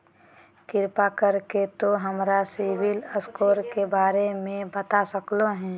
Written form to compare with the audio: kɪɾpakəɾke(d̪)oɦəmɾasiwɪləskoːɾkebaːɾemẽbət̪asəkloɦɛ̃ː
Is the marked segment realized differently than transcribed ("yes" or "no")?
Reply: yes